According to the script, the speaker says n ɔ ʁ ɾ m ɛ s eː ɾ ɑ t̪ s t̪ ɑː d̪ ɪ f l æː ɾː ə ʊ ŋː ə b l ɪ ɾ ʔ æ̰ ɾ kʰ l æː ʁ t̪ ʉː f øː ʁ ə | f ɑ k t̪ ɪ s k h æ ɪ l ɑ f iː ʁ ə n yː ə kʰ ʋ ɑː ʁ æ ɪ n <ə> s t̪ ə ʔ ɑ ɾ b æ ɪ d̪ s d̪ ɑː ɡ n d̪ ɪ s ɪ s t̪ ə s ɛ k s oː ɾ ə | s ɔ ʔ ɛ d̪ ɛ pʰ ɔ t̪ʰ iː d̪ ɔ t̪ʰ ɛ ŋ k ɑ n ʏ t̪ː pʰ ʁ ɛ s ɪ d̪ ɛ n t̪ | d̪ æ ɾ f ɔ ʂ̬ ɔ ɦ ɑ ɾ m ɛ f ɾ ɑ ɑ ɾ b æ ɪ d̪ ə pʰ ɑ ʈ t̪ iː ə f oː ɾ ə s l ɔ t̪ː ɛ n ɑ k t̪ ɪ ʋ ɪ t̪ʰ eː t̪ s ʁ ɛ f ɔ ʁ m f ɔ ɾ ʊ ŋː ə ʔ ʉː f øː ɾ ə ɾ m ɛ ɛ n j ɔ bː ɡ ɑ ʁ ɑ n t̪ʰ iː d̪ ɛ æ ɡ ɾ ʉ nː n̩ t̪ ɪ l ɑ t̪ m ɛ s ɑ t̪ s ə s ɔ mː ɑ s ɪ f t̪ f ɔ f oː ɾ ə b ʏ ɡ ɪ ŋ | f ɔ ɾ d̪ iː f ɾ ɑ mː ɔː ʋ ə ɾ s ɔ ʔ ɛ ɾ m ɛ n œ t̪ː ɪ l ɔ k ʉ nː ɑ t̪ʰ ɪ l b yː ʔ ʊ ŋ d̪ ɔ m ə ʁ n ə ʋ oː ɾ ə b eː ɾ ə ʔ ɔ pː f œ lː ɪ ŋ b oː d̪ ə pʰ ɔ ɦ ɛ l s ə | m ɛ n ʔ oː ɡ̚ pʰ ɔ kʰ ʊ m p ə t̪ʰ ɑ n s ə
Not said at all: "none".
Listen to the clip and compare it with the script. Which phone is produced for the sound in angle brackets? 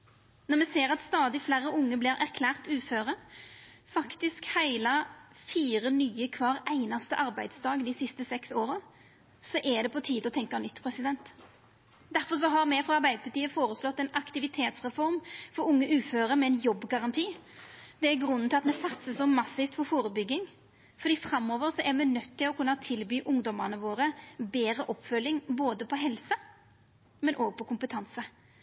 ɑ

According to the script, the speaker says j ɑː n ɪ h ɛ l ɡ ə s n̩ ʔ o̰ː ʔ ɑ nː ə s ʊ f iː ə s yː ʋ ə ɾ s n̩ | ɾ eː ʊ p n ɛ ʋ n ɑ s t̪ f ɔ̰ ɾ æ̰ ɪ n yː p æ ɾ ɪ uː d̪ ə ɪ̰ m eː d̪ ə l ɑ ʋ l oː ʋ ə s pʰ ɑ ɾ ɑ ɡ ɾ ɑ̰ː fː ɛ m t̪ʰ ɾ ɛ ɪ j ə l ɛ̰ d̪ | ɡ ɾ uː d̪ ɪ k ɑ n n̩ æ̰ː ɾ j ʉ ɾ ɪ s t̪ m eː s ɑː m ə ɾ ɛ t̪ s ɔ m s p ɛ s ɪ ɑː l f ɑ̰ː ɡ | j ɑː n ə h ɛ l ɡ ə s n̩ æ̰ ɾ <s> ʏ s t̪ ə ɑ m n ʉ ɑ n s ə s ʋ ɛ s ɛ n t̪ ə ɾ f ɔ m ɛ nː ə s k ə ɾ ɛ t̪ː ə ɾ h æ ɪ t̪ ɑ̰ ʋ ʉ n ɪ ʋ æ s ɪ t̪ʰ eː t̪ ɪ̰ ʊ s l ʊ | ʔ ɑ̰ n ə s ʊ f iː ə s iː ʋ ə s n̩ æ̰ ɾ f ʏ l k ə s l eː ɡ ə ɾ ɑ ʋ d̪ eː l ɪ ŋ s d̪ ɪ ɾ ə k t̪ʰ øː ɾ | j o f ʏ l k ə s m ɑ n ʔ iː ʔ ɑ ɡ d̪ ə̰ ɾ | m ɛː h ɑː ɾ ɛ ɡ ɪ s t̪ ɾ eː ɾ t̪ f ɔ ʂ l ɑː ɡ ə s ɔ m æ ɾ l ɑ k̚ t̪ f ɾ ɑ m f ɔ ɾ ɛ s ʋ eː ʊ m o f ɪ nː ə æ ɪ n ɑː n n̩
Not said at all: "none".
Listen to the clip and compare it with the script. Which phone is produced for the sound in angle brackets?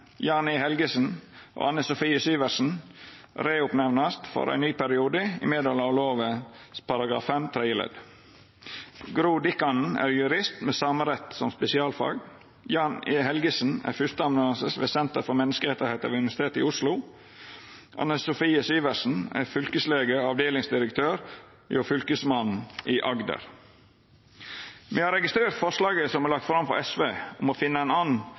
f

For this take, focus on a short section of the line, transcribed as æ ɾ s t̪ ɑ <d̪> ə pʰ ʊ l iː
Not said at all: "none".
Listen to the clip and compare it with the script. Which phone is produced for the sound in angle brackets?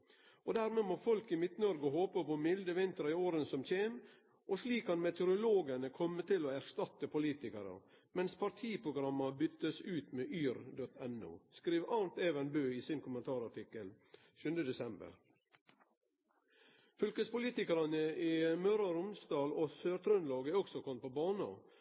t̪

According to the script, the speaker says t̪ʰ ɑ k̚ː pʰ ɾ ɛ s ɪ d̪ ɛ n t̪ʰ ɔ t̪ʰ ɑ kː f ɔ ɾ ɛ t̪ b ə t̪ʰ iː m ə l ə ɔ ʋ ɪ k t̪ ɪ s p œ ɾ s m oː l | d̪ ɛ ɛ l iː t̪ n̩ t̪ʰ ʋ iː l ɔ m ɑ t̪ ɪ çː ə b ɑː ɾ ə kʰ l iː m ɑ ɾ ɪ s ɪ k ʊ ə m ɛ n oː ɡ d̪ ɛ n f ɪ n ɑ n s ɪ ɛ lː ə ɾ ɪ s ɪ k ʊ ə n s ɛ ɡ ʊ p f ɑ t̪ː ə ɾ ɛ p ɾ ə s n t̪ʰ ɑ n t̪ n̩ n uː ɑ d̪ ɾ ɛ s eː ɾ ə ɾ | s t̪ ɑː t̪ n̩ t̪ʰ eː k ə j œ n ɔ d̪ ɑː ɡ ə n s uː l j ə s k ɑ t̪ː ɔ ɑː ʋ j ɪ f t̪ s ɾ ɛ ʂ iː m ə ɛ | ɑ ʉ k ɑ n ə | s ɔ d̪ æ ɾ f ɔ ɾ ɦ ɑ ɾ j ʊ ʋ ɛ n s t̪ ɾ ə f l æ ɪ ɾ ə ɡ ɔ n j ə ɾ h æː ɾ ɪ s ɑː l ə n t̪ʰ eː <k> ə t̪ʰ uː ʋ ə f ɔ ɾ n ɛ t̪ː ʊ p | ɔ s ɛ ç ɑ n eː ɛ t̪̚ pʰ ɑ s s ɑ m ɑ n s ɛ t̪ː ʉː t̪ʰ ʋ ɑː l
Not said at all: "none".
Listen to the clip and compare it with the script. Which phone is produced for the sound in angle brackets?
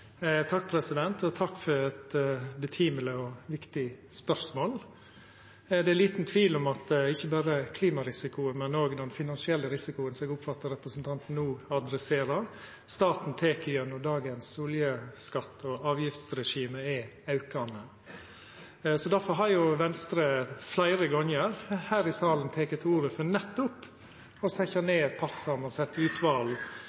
k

